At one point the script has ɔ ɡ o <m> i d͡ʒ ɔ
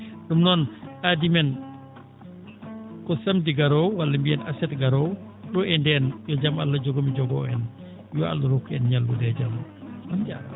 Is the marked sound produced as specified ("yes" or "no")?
yes